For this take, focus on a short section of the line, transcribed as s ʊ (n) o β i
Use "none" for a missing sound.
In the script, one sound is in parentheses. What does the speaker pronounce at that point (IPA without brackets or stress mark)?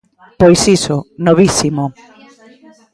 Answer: n